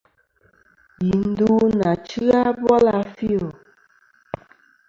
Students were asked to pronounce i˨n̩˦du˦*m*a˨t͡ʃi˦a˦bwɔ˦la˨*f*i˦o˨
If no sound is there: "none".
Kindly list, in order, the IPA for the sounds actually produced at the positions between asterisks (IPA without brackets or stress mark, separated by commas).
n, f